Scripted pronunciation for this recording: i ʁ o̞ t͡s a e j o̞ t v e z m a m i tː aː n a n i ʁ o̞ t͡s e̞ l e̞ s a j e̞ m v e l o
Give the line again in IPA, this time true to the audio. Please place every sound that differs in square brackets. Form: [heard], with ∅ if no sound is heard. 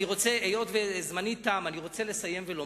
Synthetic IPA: i ʁ o̞ t͡s [e] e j o̞ t v e z m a [n] i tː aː [m] a n i ʁ o̞ t͡s e̞ l e̞ s a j e̞ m v e l o

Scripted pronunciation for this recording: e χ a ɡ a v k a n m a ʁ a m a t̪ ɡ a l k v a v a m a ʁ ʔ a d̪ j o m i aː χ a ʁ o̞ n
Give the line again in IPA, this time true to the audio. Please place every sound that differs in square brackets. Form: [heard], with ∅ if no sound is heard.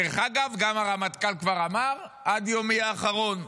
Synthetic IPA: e χ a ɡ a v [ɡ] a [∅] m a ʁ a m a t̪ [k] a l k v a [ʁ] a m a ʁ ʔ a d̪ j o m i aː χ a ʁ o̞ n

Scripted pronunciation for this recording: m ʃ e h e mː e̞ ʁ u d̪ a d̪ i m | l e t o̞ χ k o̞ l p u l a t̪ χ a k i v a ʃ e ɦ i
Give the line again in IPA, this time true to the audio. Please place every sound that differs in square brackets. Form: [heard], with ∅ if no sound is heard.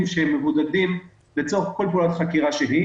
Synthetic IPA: m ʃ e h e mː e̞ [v] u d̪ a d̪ i m | l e [t͡s] o̞ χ k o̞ l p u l a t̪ χ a k i [ʁ] a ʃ e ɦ i

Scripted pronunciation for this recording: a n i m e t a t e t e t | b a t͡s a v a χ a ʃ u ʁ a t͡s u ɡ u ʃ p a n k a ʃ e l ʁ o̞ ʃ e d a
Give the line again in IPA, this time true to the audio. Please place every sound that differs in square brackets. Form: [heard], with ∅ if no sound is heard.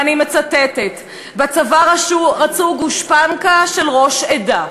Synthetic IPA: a n i m e [t͡s] a t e t e t | b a t͡s a v a [ʁ] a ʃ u ʁ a t͡s u ɡ u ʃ p a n k a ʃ e l ʁ o̞ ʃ e d a

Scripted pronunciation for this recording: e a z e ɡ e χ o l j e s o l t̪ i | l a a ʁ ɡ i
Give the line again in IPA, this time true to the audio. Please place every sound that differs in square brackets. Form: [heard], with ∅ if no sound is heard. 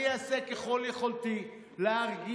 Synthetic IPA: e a [s] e [k] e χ o l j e [χ] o l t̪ i | l [e] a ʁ ɡ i

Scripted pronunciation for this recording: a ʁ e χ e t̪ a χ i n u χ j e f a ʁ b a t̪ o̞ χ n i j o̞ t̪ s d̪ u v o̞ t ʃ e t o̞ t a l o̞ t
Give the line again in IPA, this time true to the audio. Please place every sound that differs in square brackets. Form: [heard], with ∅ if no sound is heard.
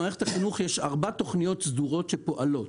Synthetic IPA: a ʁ e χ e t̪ a χ i n u χ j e [ʃ] a ʁ b a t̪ o̞ χ n i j o̞ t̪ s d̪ u [ʁ] o̞ t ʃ e [p] o̞ [ʔ] a l o̞ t

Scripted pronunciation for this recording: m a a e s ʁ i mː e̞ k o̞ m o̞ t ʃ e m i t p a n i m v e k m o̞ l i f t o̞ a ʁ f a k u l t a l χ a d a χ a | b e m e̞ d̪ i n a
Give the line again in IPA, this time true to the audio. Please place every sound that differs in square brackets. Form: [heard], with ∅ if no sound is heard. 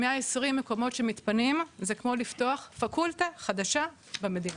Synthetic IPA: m [e] a e s ʁ i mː e̞ k o̞ m o̞ t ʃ e m i t p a n i m [z] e k m o̞ l i f t o̞ a [χ] f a k u l t a [∅] χ a d a [ʃ] a | b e m e̞ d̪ i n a

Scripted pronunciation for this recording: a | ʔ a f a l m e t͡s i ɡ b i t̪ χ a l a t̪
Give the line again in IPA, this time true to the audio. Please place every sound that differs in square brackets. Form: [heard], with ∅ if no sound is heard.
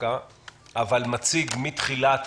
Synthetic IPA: a | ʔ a [v] a l m [a] t͡s i ɡ [m] i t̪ χ [i] l a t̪

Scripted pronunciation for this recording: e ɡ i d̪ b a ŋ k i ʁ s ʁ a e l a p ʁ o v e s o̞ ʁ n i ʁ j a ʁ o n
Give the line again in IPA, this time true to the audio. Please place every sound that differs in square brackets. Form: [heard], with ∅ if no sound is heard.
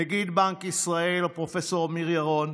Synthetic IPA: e ɡ i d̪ b a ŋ k i [∅] s ʁ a e l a p ʁ o [f] e s o̞ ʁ [m] i ʁ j a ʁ o n

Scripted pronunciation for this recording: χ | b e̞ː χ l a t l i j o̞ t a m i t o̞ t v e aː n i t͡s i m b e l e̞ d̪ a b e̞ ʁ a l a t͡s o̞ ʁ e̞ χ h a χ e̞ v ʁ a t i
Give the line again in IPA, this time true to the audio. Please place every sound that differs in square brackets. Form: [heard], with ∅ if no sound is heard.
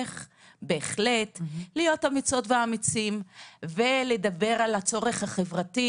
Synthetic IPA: χ | b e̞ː χ l [e] t l i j o̞ t a m i [t͡s] o̞ t v e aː [m] i t͡s i m [v] e l e̞ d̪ a b e̞ ʁ a l a t͡s o̞ ʁ e̞ χ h a χ e̞ v ʁ a t i

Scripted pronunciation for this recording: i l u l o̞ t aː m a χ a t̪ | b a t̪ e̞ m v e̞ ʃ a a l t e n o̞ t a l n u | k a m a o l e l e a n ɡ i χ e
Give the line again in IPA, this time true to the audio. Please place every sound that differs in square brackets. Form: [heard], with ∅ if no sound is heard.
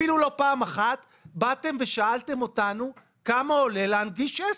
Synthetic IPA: i l u l o̞ [p] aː m a χ a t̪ | b a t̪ e̞ m v e̞ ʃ a a l t e [m] o̞ t a [∅] n u | k a m a o l e l e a n ɡ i [ʃ] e

